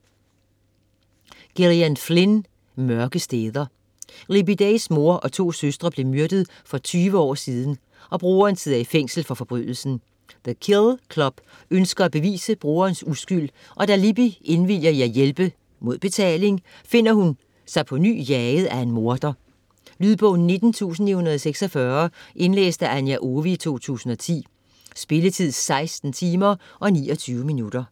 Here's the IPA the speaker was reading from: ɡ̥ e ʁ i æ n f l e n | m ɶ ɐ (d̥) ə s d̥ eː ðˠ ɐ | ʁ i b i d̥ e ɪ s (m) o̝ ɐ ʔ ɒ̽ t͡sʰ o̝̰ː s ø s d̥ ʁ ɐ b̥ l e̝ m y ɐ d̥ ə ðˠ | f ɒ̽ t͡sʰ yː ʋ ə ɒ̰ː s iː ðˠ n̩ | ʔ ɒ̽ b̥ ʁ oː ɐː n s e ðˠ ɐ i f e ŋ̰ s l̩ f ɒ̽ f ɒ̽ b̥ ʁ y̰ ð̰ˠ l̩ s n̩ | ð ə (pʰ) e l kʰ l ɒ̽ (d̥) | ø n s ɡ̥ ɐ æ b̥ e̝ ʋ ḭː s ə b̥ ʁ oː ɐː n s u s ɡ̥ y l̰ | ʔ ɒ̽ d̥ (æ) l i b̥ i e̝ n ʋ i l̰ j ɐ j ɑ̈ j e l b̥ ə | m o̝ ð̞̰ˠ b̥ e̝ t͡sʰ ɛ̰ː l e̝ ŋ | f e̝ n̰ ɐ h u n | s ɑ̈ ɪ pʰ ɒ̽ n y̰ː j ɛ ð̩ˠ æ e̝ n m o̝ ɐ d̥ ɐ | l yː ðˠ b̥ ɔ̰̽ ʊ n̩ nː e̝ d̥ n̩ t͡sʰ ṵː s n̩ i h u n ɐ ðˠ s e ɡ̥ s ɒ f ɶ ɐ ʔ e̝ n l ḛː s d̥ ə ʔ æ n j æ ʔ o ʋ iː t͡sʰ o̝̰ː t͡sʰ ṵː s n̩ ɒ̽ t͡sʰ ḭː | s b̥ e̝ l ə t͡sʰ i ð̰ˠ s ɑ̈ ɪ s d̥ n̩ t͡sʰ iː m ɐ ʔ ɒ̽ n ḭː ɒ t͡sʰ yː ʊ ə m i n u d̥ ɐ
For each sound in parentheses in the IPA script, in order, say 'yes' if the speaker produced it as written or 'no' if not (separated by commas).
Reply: no, yes, no, no, yes